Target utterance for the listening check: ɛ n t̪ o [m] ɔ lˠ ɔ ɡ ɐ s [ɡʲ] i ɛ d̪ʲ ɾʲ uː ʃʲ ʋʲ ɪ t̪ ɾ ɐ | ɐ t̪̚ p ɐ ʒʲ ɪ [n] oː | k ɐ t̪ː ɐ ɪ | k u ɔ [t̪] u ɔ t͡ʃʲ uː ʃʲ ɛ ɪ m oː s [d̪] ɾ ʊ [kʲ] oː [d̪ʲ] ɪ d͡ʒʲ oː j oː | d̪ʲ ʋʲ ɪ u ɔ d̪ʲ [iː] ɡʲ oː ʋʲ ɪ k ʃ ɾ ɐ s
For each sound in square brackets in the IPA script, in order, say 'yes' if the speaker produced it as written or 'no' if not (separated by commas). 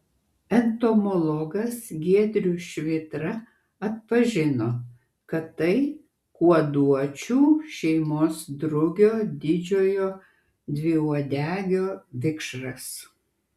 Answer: yes, yes, yes, no, yes, no, yes, no